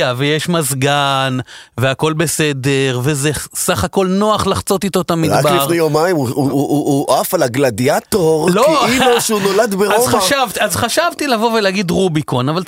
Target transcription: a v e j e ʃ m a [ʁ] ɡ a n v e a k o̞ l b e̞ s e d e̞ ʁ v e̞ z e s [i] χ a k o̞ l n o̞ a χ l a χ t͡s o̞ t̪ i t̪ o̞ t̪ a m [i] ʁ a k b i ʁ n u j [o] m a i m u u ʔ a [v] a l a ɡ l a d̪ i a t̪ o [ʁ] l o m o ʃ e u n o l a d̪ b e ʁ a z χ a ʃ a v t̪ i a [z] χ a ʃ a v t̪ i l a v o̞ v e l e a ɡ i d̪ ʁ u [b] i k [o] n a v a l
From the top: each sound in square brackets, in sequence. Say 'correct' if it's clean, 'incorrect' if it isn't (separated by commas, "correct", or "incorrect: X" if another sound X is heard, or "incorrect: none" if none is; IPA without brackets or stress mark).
incorrect: z, incorrect: a, correct, correct, incorrect: f, correct, correct, correct, correct